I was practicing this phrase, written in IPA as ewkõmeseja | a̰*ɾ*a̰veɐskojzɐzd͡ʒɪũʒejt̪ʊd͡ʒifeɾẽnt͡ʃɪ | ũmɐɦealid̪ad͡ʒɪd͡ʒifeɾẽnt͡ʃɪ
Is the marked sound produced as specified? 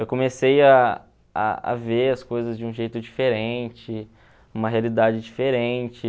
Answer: no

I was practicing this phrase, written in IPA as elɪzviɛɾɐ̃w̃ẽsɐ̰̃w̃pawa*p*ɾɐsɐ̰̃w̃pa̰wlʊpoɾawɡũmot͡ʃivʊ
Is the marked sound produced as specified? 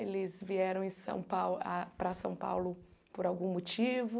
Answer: yes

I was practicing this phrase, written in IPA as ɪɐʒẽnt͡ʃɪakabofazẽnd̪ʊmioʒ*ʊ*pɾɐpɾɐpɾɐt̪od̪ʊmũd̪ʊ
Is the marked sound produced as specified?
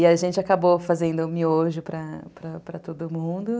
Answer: yes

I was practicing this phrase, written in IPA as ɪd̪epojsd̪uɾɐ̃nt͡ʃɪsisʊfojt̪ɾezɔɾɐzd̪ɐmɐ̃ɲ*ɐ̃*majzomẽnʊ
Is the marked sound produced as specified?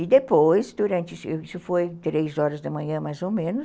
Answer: yes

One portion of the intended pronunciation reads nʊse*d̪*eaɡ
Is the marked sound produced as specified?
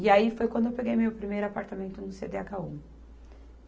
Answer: yes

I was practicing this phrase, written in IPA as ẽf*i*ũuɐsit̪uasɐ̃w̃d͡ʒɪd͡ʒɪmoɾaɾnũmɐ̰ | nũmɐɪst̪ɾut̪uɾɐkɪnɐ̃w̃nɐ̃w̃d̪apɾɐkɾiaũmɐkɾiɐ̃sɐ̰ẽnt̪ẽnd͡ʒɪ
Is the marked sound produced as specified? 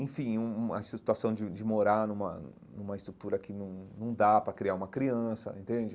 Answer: no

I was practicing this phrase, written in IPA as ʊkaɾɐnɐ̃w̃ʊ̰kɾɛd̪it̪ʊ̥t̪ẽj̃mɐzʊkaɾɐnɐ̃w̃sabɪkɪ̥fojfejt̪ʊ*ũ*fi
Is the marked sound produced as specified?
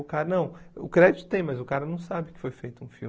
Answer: yes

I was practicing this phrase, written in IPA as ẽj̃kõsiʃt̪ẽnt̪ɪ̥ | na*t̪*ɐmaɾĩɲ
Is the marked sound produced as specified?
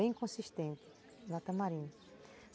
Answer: yes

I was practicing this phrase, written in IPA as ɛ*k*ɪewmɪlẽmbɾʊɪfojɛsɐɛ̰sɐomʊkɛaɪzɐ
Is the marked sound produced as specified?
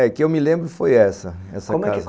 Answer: yes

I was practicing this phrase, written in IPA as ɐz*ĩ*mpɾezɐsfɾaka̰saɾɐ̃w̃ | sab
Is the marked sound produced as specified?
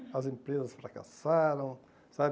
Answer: no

